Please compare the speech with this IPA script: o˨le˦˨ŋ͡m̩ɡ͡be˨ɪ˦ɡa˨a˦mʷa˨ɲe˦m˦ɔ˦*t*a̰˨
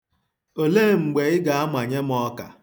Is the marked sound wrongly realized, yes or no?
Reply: yes